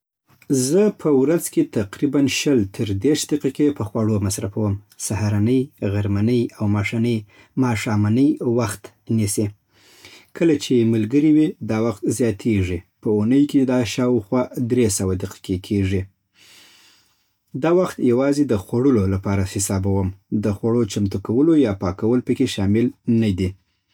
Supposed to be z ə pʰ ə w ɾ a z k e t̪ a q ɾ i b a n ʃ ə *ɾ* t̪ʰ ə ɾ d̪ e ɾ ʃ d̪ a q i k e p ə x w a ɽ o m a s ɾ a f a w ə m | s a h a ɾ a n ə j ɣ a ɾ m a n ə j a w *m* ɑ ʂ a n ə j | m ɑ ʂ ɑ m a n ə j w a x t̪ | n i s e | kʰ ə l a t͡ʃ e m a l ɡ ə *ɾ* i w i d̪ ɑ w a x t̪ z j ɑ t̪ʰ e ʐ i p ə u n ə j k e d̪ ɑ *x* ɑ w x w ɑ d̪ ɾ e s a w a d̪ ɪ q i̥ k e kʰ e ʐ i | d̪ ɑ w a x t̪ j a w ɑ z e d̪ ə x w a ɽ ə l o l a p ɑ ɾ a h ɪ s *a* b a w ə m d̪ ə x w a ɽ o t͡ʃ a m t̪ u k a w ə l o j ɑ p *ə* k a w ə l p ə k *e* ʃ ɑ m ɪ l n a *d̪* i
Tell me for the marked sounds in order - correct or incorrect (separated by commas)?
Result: incorrect, correct, correct, incorrect, incorrect, incorrect, correct, correct